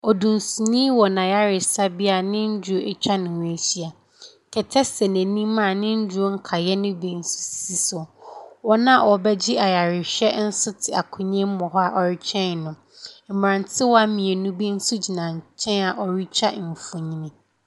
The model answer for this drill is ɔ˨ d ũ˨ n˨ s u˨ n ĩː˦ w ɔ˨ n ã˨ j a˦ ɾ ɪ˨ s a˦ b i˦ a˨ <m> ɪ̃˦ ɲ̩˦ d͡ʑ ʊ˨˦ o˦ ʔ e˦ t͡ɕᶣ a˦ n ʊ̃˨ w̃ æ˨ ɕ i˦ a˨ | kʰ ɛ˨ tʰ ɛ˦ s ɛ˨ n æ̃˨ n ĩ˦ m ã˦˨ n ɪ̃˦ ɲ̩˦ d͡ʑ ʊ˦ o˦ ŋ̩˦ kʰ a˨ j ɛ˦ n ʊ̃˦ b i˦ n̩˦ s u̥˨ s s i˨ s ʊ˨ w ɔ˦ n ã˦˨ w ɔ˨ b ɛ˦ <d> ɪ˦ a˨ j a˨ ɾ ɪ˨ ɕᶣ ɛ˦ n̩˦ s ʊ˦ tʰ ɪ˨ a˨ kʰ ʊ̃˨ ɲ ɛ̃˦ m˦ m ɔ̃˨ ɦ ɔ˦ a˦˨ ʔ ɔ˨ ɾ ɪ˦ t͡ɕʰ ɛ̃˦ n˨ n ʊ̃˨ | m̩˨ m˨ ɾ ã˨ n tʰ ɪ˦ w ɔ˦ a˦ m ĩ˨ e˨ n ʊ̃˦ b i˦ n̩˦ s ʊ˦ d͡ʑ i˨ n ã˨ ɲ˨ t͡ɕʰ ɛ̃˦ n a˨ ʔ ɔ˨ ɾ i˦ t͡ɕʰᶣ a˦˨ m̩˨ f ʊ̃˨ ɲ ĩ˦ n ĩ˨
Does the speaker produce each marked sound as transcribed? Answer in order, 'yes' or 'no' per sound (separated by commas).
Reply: no, no